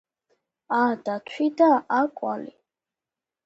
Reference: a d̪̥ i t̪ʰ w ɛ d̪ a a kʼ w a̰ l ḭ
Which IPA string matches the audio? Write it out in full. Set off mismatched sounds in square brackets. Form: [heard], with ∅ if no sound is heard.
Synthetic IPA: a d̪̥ [a] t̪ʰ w [i] d̪ a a kʼ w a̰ l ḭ